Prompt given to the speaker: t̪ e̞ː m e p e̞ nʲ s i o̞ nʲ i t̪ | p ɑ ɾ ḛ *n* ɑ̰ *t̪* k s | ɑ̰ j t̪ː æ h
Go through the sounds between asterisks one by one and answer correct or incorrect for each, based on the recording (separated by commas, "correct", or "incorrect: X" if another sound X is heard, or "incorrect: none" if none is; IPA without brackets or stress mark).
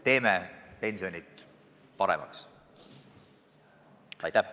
incorrect: m, incorrect: none